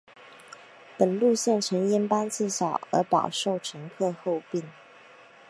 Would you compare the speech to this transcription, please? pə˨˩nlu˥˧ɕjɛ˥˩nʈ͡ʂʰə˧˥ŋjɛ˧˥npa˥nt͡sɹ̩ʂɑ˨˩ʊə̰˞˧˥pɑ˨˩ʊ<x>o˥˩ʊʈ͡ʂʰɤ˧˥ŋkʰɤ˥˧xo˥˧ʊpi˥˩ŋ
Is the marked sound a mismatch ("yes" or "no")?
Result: yes